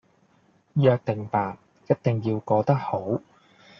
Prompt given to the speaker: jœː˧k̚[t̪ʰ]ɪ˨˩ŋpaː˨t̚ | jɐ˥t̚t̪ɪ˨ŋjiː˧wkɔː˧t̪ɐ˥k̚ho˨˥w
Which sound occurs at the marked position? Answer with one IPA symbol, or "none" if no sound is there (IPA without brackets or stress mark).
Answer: t̪